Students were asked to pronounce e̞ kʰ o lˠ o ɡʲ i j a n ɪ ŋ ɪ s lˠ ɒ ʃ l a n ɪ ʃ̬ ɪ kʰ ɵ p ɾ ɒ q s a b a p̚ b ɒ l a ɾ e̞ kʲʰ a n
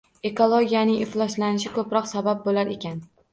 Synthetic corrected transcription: e̞ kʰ o lˠ o ɡʲ i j a n ɪ ŋ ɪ f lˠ ɒ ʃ l a n ɪ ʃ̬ ɪ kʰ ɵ p ɾ ɒ q s a b a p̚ b o l a ɾ e̞ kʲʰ a n